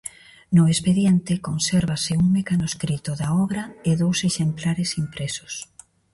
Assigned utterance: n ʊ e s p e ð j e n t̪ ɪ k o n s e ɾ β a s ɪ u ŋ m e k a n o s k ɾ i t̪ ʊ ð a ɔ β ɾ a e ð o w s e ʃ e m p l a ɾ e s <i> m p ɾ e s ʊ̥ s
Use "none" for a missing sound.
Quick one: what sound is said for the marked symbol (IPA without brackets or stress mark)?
i